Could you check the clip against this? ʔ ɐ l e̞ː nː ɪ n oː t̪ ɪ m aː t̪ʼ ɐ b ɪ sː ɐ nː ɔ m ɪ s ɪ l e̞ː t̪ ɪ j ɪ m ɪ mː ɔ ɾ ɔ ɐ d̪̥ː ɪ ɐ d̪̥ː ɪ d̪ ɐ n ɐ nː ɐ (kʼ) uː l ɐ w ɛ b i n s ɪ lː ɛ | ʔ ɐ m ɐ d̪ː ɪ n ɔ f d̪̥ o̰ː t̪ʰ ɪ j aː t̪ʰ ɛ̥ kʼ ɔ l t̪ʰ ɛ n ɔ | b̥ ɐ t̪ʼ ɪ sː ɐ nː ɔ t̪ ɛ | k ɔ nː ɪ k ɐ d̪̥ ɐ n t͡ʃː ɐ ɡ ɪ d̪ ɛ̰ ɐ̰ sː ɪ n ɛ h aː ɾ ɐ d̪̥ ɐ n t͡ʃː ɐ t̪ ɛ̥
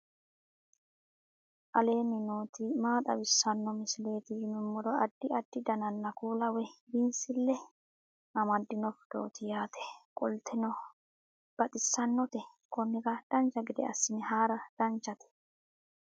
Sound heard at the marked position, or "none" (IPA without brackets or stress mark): k